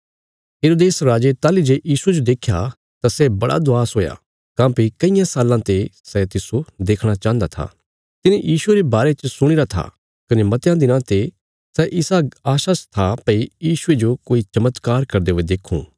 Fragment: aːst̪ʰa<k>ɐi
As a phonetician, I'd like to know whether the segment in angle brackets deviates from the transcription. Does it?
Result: yes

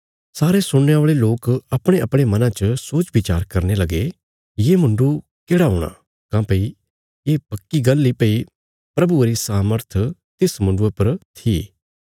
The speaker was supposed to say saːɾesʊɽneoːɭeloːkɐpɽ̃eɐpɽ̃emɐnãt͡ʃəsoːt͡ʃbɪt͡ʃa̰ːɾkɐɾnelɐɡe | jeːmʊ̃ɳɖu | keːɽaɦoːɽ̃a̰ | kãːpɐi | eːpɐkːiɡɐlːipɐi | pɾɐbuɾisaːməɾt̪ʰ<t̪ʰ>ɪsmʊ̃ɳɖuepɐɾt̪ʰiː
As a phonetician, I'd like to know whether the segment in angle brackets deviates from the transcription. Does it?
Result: yes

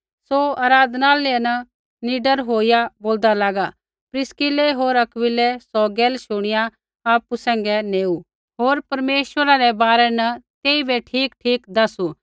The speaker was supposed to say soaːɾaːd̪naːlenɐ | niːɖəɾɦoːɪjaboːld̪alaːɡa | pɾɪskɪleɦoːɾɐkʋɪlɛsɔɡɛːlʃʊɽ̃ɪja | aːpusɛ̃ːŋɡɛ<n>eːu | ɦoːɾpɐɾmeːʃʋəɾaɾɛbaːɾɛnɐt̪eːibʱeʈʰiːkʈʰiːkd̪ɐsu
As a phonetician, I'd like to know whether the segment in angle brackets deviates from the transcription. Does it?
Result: no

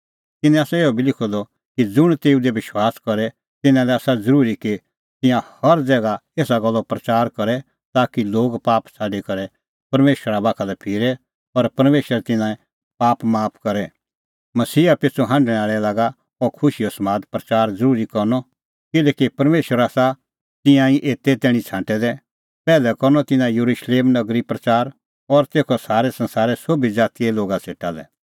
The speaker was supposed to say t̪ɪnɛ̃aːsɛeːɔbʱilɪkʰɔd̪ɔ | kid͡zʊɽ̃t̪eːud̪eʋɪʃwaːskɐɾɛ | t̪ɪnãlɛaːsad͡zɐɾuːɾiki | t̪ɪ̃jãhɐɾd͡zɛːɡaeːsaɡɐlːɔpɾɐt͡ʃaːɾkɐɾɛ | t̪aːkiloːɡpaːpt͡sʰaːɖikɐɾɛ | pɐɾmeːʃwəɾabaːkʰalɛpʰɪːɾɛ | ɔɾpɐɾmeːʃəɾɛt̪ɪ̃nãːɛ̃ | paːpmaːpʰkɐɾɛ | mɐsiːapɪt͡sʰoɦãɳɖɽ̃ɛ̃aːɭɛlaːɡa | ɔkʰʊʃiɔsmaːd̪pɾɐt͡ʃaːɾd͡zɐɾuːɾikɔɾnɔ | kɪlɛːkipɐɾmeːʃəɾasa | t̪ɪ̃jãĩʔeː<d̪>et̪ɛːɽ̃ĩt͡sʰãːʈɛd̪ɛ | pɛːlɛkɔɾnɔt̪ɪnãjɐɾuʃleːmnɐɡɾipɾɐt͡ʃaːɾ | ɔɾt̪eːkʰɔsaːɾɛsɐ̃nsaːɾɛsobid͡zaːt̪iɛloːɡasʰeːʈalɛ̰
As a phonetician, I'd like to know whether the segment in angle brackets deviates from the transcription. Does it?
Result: yes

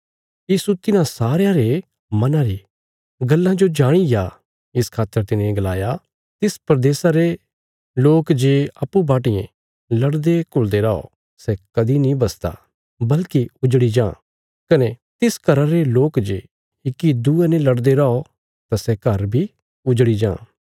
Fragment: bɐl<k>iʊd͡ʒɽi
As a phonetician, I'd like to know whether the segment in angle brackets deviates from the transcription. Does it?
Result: no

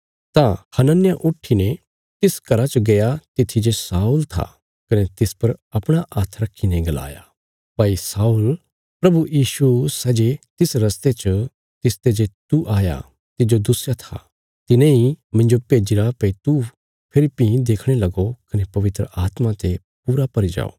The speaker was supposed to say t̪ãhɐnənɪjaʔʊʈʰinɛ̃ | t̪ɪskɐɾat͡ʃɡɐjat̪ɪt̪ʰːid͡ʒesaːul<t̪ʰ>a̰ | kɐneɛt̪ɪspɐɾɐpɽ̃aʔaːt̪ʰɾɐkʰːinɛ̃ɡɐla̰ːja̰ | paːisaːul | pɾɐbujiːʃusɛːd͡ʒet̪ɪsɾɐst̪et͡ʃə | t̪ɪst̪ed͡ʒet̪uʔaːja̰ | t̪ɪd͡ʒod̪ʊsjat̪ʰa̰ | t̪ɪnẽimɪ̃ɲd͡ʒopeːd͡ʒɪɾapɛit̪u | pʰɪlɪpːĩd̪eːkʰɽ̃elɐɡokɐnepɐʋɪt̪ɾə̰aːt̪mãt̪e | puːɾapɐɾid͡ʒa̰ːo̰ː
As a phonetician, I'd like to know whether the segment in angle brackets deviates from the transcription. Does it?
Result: no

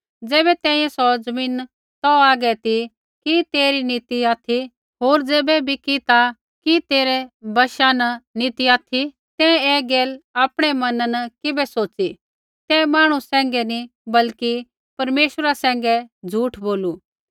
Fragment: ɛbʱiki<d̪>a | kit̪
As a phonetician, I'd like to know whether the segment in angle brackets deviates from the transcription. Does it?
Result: yes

